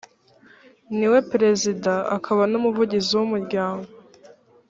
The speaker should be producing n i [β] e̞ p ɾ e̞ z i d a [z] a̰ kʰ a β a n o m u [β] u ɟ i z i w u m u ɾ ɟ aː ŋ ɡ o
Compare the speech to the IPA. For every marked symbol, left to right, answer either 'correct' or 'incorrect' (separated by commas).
incorrect, incorrect, incorrect